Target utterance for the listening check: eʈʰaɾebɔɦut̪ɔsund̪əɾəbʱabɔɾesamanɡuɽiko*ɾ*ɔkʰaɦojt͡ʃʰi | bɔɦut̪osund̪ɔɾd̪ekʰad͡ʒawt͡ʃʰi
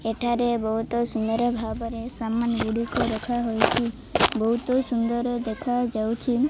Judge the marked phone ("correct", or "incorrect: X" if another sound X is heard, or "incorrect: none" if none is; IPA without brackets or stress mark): correct